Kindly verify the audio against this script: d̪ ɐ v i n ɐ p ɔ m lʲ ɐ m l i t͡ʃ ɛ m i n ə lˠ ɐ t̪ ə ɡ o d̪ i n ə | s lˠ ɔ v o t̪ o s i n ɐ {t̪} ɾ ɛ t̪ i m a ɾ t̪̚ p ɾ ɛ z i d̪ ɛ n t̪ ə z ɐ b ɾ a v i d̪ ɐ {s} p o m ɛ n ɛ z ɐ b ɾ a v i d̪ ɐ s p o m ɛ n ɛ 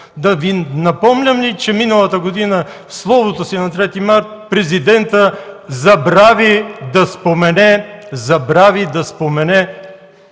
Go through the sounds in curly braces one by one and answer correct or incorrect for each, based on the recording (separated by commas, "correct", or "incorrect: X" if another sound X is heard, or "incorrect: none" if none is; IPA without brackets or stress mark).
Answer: correct, correct